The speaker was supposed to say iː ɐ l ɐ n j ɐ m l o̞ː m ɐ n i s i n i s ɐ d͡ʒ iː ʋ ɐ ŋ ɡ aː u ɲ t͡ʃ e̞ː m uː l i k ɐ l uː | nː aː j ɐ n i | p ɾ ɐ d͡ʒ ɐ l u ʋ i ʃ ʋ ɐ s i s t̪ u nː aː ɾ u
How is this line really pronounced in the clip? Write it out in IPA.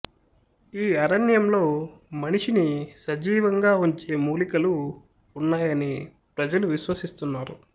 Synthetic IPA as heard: iː ɐ ɾ ɐ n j ɐ m l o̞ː m ɐ n i ʂ i n i s ɐ d͡ʒ iː ʋ ɐ ŋ ɡ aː u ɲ t͡ʃ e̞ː m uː l i k ɐ l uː | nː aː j ɐ n i | p ɾ ɐ d͡ʒ ɐ l u ʋ i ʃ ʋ ɐ s i s t̪ u nː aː ɾ u